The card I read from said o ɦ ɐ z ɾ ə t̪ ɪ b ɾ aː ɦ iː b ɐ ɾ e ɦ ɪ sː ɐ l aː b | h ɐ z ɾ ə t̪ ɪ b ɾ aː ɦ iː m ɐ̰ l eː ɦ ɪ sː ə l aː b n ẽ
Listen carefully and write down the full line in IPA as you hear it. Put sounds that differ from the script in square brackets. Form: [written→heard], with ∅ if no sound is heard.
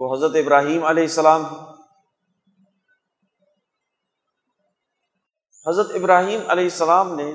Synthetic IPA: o ɦ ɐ z ɾ ə t̪ ɪ b ɾ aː ɦ iː [b→m] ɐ [ɾ→l] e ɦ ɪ sː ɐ l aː [b→m] | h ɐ z ɾ ə t̪ ɪ b ɾ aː ɦ iː m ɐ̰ l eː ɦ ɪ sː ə l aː [b→m] n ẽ